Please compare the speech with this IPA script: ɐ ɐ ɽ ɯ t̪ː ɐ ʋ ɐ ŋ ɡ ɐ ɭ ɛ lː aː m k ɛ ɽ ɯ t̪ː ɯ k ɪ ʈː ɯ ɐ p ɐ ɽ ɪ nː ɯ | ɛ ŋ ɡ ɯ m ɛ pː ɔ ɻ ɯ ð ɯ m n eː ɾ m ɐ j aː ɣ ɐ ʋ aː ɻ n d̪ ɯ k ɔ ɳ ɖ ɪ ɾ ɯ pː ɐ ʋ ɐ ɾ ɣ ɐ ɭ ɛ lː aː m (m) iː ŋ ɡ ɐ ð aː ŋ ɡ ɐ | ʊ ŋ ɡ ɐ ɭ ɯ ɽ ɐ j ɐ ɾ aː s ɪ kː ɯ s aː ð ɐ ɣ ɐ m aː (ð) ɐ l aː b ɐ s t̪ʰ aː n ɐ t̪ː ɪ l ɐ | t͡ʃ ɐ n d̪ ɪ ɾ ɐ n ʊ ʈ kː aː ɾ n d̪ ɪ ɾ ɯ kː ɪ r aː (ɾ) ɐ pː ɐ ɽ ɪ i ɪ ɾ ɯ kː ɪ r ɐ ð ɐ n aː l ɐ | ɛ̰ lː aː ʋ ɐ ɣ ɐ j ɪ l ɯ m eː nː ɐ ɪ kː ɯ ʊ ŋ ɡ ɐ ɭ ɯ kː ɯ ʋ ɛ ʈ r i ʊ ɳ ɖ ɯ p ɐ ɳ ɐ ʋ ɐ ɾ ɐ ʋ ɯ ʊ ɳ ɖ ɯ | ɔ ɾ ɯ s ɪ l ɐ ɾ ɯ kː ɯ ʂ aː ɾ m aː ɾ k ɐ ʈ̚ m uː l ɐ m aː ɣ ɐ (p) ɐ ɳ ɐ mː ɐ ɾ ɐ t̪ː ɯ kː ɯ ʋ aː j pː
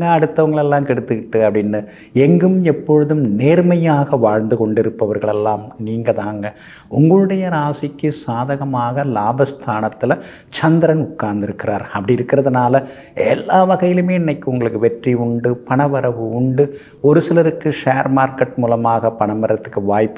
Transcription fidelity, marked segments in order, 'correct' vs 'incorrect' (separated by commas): incorrect, incorrect, correct, correct